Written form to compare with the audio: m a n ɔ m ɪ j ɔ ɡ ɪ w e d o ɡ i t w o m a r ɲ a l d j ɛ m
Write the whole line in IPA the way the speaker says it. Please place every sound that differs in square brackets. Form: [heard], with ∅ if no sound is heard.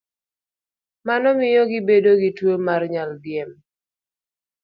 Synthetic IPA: m a n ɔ m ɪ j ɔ ɡ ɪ [b] e d o ɡ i t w o m a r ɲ a l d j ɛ m

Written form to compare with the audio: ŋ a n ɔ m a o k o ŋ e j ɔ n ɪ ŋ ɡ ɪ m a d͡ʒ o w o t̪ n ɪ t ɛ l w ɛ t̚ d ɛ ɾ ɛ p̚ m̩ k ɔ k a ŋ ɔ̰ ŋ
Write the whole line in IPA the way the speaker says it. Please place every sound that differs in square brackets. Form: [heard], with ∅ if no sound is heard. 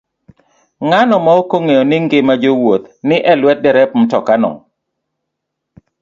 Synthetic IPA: ŋ a n ɔ m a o k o ŋ e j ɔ n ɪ ŋ ɡ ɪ m a d͡ʒ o w o t̪ n ɪ [ʔ] ɛ l w ɛ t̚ d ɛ ɾ ɛ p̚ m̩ [t] ɔ k a [n] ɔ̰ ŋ

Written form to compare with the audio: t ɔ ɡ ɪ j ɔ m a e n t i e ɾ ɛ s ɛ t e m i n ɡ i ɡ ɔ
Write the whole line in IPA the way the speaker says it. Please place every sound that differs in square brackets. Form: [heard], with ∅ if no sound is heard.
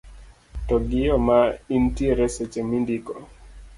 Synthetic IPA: t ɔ ɡ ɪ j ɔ m a [i] n t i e ɾ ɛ s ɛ [t͡ʃ] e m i n [d] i [k] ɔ

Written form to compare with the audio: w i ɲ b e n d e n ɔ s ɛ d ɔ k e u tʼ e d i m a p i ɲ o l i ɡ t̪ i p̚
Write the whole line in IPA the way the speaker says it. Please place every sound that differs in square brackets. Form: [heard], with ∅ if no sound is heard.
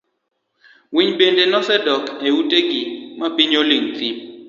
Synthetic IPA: w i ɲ b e n d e n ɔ s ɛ d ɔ k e u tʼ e [ɡ] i m a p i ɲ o l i [ŋ] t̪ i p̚

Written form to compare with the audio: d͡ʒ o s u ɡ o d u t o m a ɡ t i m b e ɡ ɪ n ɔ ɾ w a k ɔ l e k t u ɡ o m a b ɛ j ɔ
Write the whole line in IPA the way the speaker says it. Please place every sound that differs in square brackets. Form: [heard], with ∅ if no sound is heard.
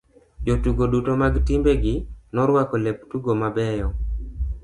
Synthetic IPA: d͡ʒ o [t] u ɡ o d u t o m a ɡ t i m b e ɡ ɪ n ɔ ɾ w a k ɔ l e [p] t u ɡ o m a b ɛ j ɔ

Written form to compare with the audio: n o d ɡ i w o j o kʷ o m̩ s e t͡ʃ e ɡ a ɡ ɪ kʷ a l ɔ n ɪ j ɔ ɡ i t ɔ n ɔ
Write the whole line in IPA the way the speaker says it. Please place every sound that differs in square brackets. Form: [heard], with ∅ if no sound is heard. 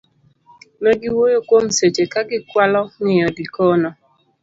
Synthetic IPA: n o [∅] ɡ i w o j o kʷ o m̩ s e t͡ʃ e [k] a ɡ ɪ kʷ a l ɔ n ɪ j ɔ [d] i [k] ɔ n ɔ

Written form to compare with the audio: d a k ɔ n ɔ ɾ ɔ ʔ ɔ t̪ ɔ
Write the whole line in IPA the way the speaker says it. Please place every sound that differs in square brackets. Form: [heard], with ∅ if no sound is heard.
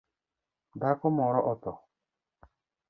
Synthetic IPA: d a k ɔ [m] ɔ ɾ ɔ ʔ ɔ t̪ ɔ

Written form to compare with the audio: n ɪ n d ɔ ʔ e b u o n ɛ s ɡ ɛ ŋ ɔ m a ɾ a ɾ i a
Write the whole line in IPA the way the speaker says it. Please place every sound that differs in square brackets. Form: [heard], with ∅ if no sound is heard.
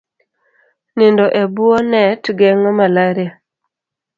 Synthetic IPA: n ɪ n d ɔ ʔ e b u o n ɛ [t] ɡ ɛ ŋ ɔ m a [l] a ɾ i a

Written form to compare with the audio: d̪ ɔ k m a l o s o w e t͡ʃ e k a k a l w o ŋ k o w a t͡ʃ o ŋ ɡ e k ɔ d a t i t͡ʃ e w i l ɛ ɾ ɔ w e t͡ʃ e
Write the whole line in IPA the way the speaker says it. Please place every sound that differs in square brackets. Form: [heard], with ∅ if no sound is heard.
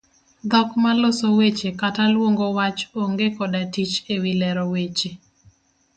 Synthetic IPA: d̪ ɔ k m a l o s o w e t͡ʃ e k a [t] a l w o ŋ [ɡ] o w a t͡ʃ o ŋ ɡ e k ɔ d a t i t͡ʃ e w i l ɛ ɾ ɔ w e t͡ʃ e

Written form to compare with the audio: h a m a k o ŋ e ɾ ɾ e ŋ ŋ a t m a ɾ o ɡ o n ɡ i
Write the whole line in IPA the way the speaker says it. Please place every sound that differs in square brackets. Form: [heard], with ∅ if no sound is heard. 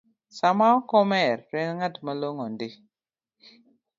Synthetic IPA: [s] a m a k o [m] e ɾ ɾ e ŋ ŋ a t m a [l] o [ŋ] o n [d] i

